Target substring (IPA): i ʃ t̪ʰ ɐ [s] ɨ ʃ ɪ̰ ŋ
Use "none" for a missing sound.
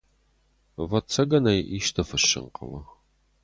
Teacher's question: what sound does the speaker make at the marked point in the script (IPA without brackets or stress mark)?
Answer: f